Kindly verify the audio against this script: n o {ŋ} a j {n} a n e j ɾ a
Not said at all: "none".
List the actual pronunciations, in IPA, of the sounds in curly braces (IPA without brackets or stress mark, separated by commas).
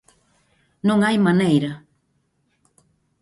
ŋ, m